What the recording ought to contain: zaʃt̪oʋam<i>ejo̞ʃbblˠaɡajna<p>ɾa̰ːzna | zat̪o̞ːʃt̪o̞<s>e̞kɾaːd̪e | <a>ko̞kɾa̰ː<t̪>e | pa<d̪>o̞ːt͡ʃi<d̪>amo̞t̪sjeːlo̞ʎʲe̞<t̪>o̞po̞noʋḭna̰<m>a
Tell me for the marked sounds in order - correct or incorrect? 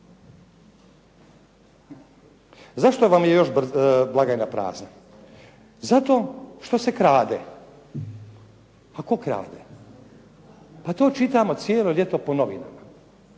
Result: incorrect: j, correct, correct, correct, incorrect: d̪, incorrect: t̪, incorrect: t̪, correct, correct

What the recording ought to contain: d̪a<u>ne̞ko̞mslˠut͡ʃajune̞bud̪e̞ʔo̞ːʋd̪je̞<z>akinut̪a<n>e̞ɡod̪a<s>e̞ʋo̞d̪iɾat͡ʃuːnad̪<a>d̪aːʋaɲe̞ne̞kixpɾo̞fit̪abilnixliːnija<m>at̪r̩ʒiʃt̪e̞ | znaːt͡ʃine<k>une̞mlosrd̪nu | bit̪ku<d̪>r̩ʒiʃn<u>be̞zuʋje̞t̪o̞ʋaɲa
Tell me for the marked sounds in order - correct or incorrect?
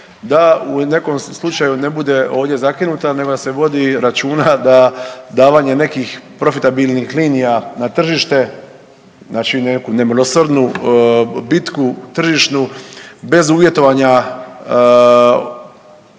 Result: correct, correct, correct, correct, correct, incorrect: n, correct, incorrect: t̪, correct

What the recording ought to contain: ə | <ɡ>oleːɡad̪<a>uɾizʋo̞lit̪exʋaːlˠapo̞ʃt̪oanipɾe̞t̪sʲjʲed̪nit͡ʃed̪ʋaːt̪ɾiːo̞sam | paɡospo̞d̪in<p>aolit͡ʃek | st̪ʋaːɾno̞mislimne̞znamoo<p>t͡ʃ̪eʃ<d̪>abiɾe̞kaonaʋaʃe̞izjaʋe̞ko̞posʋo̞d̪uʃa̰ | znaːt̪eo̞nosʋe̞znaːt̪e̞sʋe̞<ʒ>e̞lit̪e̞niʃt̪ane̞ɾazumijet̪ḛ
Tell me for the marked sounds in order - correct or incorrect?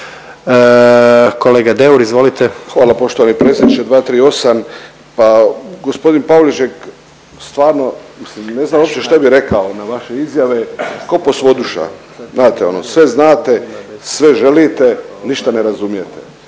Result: incorrect: k, incorrect: e, correct, correct, incorrect: t̪, correct

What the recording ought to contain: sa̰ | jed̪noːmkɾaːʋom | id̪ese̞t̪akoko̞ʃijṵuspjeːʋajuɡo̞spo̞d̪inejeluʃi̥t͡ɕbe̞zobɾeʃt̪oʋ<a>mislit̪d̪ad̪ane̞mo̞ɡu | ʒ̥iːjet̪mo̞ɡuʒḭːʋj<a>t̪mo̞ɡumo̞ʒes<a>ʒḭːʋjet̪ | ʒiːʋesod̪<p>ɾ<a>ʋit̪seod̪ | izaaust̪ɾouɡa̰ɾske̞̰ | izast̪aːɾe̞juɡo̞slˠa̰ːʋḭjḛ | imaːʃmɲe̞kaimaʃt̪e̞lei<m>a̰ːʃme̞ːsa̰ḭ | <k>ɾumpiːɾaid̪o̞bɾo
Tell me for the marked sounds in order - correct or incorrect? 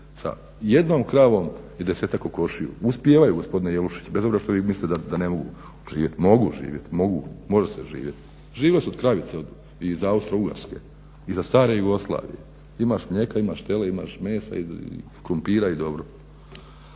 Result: incorrect: i, incorrect: e, incorrect: e, incorrect: k, correct, correct, correct

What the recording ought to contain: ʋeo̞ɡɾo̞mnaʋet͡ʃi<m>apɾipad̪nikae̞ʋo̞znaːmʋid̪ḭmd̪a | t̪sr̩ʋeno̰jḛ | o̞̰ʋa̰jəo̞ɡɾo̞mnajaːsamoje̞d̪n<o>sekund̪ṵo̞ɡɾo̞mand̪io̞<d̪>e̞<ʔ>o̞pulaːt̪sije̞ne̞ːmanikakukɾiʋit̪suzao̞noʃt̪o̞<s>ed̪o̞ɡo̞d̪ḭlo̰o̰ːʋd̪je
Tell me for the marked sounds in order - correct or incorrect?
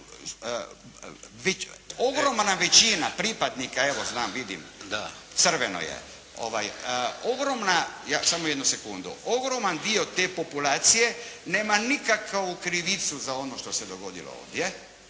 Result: incorrect: n, incorrect: u, incorrect: t̪, incorrect: p, correct

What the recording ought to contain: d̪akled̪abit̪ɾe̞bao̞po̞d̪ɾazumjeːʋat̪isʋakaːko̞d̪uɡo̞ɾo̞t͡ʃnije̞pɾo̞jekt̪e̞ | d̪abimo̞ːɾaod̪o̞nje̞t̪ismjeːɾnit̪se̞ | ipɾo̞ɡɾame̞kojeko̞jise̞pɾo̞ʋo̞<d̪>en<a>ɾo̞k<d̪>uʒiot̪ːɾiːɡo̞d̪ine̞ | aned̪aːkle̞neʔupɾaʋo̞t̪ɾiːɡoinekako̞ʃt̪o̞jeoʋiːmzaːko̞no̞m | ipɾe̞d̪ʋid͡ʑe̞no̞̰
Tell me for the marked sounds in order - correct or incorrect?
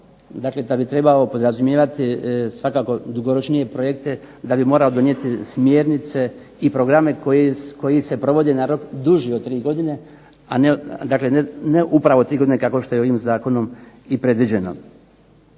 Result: correct, correct, correct

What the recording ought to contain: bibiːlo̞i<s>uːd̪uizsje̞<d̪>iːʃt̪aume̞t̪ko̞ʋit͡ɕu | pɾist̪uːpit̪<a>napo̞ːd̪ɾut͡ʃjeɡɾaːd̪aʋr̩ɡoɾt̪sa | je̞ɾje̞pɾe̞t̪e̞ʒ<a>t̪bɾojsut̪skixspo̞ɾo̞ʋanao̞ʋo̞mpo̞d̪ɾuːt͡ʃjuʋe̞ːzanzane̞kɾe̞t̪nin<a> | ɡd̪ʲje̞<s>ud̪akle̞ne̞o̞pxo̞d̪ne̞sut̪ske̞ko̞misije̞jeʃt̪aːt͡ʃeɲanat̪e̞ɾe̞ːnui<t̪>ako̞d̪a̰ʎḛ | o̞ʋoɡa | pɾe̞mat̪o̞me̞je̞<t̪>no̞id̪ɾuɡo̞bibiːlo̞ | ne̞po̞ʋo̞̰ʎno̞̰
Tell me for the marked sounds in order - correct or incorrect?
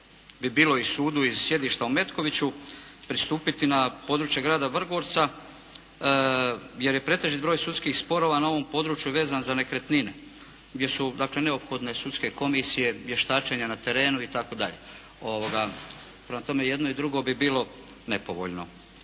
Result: correct, correct, incorrect: i, incorrect: i, incorrect: e, correct, correct, incorrect: d̪

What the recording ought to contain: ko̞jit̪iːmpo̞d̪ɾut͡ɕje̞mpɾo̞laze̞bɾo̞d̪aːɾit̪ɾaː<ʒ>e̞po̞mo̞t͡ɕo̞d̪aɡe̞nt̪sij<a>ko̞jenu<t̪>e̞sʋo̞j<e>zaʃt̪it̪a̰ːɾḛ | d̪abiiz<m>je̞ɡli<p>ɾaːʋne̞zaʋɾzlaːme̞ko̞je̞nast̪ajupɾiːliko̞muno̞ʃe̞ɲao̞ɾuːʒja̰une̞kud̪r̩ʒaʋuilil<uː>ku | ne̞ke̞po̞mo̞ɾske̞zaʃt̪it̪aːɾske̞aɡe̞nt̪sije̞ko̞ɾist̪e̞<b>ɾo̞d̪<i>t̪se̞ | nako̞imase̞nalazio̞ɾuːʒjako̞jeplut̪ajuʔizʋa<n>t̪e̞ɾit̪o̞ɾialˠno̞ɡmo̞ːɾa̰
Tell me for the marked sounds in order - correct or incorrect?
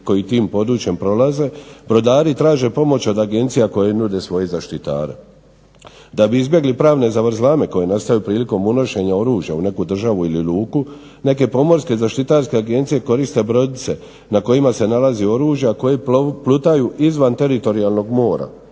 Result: correct, correct, incorrect: d̪, correct, incorrect: b, correct, correct, correct, correct, correct

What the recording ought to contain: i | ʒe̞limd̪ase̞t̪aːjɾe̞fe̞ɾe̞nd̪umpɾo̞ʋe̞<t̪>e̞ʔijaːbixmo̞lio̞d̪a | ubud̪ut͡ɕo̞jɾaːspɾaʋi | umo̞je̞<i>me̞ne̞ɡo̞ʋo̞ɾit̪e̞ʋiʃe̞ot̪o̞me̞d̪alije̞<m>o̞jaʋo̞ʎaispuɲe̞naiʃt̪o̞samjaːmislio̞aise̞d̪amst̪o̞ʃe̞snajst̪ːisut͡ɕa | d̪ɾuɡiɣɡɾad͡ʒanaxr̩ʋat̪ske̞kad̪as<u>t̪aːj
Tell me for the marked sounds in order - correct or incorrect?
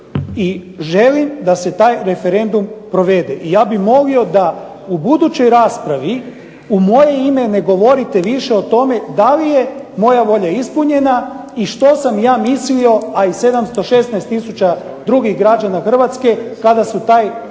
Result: incorrect: d̪, correct, correct, correct

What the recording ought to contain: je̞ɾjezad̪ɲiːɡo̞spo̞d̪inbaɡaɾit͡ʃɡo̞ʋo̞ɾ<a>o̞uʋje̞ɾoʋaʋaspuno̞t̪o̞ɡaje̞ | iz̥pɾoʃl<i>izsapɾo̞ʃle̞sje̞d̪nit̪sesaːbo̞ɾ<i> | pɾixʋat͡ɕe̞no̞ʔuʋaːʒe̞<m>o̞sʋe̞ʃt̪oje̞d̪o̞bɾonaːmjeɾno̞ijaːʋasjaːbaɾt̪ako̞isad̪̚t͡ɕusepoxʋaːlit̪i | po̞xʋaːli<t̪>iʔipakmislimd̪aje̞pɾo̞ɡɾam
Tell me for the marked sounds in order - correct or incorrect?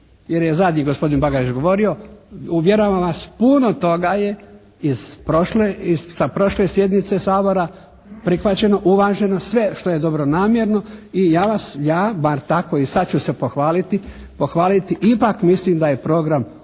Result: incorrect: i, incorrect: e, incorrect: a, incorrect: n, correct

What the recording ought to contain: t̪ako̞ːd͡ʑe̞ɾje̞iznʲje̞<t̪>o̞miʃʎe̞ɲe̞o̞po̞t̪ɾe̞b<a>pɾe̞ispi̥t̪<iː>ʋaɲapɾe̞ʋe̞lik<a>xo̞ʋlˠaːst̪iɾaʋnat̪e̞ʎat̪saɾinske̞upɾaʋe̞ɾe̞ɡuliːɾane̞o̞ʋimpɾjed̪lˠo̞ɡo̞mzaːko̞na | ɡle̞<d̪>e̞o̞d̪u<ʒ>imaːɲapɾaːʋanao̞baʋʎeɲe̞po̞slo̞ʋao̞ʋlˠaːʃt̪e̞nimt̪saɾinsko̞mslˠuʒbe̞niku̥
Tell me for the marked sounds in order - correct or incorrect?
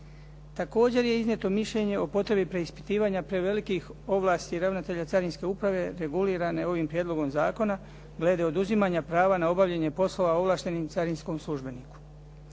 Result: correct, incorrect: i, correct, incorrect: i, correct, incorrect: z

